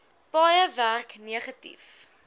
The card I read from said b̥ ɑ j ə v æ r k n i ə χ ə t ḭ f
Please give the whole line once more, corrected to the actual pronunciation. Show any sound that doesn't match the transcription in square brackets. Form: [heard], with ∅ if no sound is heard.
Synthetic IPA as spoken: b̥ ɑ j ə v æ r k n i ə χ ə t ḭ f